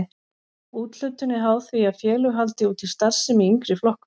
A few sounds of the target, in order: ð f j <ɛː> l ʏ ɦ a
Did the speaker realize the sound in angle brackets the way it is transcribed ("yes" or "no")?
yes